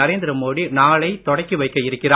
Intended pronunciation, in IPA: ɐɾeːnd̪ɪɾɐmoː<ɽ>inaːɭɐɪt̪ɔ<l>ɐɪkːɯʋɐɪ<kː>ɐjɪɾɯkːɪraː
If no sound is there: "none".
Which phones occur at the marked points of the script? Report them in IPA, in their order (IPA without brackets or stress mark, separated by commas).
ɽ, ɽ, kː